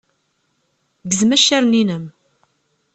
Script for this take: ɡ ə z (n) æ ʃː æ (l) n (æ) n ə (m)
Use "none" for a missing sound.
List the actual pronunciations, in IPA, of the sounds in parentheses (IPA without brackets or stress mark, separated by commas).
m, ɾ, i, m